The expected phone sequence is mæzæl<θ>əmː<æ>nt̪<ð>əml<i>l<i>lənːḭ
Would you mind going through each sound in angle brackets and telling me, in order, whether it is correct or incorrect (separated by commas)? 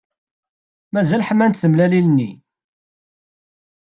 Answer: incorrect, correct, incorrect, incorrect, correct